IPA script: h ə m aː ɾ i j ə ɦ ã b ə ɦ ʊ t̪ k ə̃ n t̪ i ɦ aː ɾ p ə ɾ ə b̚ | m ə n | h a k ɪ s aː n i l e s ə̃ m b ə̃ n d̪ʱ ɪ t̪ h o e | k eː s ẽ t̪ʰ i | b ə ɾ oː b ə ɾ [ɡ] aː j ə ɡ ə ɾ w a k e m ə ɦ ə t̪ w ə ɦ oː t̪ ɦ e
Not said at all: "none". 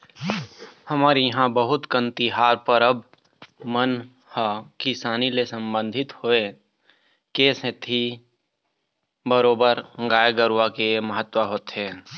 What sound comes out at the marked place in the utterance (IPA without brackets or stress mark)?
ɡ